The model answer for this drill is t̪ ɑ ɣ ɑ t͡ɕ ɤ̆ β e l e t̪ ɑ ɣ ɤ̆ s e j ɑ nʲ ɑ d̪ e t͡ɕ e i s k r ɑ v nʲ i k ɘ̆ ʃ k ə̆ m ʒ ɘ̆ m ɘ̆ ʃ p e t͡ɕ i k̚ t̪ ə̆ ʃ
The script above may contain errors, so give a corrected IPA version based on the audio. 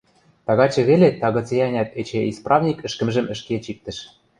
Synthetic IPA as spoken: t̪ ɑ ɣ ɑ t͡ɕ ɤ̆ β e l e t̪ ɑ ɣ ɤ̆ t͡s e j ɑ nʲ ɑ t̪ e t͡ɕ e i s p r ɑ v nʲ i k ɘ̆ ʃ k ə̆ m ʒ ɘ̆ m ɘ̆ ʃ k e t͡ɕ i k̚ t̪ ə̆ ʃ